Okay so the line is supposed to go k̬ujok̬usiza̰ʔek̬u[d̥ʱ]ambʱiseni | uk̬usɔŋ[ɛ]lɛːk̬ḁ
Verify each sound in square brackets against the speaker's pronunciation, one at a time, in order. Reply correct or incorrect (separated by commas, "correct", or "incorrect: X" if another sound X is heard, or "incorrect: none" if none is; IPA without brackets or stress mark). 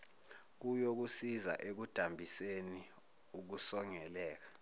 correct, correct